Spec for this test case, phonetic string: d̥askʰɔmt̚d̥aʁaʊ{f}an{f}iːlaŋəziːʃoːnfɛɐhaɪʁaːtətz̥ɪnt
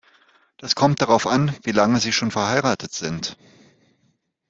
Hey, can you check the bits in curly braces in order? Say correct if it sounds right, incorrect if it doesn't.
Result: correct, incorrect: v

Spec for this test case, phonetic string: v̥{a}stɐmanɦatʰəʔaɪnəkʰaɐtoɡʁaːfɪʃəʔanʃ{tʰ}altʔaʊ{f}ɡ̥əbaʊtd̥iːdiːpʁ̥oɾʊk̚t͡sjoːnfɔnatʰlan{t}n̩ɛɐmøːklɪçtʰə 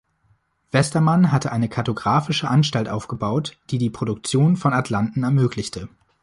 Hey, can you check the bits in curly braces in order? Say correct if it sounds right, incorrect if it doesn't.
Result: incorrect: ɛ, incorrect: t, correct, correct

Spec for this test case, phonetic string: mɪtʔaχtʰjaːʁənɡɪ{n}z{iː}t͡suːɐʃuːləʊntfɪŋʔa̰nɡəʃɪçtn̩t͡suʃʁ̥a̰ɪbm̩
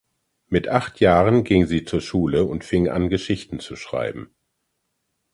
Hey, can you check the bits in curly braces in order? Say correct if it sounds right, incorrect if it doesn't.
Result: incorrect: ŋ, correct

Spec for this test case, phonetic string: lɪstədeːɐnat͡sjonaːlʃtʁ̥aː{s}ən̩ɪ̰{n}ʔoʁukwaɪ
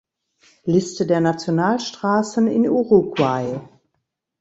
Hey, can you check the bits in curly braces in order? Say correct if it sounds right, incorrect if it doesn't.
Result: correct, correct

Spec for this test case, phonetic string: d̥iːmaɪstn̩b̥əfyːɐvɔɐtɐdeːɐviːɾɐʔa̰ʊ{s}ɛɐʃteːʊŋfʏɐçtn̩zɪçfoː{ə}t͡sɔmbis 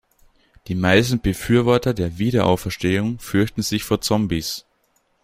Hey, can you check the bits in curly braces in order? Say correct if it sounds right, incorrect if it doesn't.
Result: incorrect: f, incorrect: ɐ

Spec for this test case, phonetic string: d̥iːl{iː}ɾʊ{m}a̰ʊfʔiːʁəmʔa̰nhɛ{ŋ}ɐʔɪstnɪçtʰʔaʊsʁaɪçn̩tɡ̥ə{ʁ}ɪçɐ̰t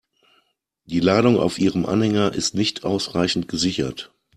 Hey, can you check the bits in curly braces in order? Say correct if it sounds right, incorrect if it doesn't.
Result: incorrect: aː, incorrect: ŋ, correct, incorrect: z

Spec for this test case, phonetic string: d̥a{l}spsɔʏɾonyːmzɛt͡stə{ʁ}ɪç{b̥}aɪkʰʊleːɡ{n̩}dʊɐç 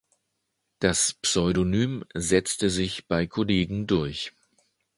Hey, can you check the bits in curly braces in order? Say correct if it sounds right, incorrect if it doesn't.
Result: incorrect: none, incorrect: z, correct, incorrect: ŋ̩

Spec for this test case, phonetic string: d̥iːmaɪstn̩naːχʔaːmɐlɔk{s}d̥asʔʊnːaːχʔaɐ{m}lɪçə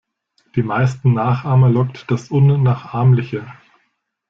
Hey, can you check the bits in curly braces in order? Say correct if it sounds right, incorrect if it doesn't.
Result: incorrect: t, correct

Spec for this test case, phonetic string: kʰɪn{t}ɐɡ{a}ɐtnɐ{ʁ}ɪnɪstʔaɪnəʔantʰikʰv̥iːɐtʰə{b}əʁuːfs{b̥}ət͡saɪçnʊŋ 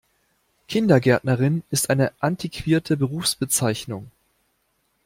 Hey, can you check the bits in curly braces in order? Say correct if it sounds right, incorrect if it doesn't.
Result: incorrect: d, incorrect: ɛ, correct, correct, correct

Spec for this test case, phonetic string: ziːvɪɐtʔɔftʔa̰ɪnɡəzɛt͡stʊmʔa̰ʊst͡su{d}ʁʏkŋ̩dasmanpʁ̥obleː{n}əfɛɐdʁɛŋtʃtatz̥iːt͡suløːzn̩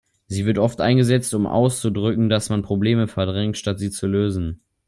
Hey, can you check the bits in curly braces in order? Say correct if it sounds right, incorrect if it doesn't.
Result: correct, incorrect: m

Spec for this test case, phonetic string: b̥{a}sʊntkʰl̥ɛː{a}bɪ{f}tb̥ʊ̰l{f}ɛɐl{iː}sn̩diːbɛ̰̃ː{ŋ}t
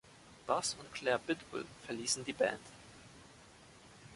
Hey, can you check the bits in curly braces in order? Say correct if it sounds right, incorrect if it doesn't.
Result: correct, incorrect: ɐ, incorrect: none, correct, correct, incorrect: n

